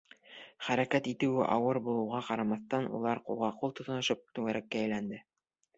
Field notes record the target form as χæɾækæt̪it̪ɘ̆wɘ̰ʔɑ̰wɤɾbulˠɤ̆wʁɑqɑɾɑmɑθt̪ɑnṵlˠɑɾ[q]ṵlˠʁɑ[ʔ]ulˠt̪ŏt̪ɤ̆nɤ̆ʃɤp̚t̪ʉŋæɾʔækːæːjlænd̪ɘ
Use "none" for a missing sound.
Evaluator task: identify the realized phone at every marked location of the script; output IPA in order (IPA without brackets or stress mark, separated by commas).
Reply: q, q